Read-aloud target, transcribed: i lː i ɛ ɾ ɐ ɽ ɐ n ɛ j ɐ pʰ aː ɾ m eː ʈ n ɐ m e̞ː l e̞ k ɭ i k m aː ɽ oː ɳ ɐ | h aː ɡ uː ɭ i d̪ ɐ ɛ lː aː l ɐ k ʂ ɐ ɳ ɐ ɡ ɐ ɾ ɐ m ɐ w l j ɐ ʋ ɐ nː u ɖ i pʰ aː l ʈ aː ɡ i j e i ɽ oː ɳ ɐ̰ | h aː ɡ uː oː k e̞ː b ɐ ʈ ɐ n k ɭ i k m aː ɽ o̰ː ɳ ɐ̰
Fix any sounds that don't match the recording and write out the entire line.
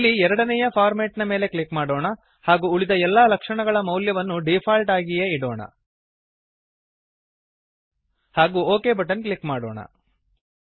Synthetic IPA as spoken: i lː i ɛ ɾ ɐ ɽ ɐ n ɛ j ɐ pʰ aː ɾ m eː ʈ n ɐ m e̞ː l e̞ k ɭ i k m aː ɽ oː ɳ ɐ | h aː ɡ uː ɭ i d̪ ɐ ɛ lː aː l ɐ k ʂ ɐ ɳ ɐ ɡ ɐ ɭ ɐ m ɐ w l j ɐ ʋ ɐ nː u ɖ i pʰ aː l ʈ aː ɡ i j e i ɽ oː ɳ ɐ̰ | h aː ɡ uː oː k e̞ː b ɐ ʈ ɐ n k ɭ i k m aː ɽ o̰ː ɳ ɐ̰